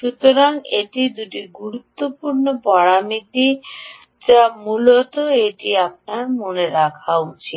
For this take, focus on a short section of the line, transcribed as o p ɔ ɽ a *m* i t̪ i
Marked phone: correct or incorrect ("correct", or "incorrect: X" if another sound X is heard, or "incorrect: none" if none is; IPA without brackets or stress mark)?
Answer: correct